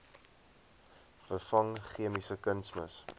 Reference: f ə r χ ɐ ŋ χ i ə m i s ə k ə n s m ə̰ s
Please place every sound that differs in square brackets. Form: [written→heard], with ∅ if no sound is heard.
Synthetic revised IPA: f ə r [χ→f] ɐ ŋ χ i ə m i s ə k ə n s m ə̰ s